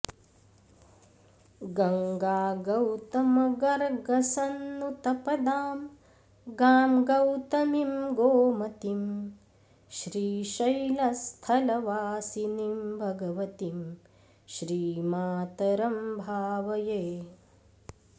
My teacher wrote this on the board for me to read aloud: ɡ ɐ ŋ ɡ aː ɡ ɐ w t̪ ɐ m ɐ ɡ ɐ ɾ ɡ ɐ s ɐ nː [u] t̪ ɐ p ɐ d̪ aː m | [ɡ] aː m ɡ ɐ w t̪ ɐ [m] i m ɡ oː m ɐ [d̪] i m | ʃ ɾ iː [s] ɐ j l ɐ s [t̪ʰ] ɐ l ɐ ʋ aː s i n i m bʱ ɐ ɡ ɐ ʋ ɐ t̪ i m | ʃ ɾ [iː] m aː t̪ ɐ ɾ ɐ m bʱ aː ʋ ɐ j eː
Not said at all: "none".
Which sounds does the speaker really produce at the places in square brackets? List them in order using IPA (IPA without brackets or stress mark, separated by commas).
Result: u, ɡ, m, t̪, ʃ, t̪ʰ, iː